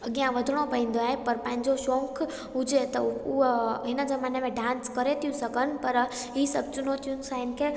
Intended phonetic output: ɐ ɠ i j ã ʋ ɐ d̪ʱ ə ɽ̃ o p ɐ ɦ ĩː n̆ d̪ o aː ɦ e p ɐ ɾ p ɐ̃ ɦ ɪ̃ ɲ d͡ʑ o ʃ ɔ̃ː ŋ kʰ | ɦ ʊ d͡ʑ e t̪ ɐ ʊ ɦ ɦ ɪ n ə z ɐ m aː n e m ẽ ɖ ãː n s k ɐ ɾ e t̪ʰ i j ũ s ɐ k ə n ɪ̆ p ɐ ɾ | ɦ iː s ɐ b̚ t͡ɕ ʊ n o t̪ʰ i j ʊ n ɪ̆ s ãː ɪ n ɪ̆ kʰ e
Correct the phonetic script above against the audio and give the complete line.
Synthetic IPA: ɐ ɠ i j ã ʋ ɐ d̪ʱ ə ɽ̃ o p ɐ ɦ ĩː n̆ d̪ o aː ɦ e p ɐ ɾ p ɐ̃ ɦ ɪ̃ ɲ d͡ʑ o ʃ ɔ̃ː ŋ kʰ | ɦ ʊ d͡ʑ e t̪ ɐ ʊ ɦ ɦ ɪ n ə z ɐ m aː n e m ẽ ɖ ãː n s k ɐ ɾ e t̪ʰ i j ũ s ɐ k ə n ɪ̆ p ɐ ɾ | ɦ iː s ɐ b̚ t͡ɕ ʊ n o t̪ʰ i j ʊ n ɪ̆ s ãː ɪ n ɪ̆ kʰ e